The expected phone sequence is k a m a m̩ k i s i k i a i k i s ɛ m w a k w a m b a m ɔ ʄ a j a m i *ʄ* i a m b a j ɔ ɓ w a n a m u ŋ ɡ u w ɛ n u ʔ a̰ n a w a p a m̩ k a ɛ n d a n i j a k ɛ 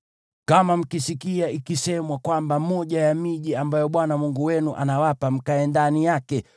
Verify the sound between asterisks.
correct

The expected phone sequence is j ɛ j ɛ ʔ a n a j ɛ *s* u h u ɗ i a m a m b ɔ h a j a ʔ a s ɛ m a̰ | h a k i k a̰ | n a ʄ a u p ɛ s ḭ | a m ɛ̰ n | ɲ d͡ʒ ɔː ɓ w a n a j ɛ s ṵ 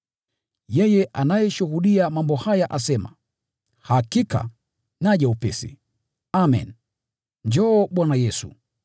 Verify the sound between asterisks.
incorrect: ʃ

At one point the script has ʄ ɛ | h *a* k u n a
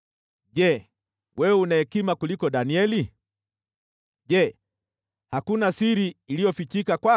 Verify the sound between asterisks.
correct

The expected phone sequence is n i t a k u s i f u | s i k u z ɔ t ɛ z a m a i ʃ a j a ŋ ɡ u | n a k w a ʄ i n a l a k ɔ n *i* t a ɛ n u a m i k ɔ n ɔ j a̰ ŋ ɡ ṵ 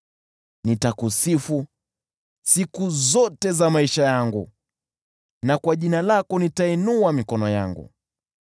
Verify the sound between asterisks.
correct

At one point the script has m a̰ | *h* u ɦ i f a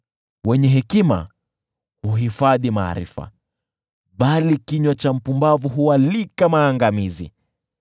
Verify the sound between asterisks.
correct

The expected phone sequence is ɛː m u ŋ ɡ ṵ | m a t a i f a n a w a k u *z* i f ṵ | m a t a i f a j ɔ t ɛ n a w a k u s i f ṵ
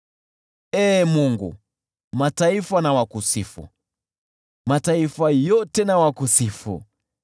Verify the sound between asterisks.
incorrect: s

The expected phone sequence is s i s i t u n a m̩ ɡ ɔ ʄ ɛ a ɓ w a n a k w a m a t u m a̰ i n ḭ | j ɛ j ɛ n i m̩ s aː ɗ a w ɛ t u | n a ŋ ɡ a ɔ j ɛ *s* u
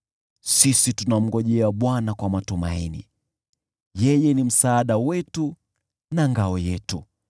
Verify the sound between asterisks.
incorrect: t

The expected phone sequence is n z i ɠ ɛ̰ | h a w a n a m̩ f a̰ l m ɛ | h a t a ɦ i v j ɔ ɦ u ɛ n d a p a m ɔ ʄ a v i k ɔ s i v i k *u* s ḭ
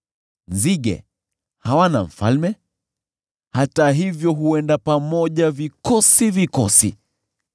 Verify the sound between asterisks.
incorrect: ɔ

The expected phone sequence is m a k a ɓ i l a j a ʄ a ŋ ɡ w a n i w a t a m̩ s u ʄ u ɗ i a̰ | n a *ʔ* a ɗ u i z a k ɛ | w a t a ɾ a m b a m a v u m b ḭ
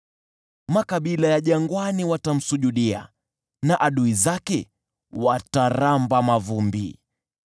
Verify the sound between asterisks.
correct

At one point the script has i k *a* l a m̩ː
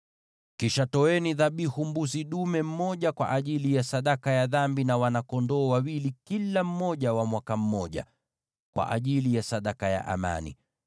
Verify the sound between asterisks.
incorrect: i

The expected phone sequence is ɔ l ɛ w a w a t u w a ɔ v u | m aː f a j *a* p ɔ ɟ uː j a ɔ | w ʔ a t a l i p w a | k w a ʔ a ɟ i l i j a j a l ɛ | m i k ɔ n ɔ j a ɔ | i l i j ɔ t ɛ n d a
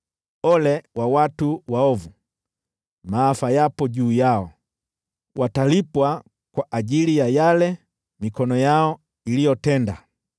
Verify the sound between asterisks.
correct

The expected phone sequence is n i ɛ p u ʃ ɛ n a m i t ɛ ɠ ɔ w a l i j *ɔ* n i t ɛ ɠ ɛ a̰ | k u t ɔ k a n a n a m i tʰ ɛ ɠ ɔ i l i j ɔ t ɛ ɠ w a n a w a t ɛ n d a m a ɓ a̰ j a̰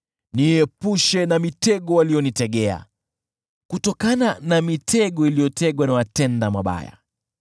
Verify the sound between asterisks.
correct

